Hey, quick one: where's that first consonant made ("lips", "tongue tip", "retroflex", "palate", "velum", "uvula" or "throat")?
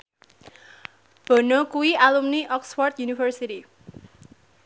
lips